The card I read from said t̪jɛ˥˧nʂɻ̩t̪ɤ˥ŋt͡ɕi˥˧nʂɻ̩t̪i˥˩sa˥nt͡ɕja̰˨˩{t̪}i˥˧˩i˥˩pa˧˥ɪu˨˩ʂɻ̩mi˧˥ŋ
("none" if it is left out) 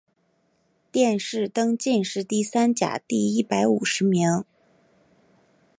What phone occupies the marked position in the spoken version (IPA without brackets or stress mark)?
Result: t̪